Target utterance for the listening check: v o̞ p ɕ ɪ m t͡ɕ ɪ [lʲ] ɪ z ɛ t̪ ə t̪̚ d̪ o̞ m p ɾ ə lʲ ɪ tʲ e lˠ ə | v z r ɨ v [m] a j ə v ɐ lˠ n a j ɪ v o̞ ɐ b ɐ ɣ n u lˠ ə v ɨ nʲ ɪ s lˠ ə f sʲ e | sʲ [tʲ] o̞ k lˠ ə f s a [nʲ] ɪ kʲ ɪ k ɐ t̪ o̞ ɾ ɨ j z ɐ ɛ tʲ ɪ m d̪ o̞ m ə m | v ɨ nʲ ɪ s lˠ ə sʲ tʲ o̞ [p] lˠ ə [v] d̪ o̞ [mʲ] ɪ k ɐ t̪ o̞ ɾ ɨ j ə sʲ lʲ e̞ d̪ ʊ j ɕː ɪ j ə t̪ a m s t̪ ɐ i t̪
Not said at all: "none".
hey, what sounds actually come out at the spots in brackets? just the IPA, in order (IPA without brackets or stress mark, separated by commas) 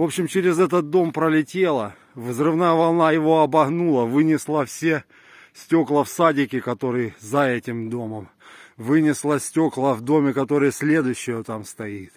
ɾʲ, n, tʲ, dʲ, k, v, mʲ